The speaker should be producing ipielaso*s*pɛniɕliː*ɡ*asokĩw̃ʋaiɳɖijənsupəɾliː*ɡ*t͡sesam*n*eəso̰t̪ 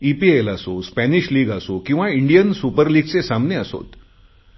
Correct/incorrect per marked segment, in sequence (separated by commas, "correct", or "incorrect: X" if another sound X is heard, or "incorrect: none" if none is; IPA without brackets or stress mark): correct, correct, correct, correct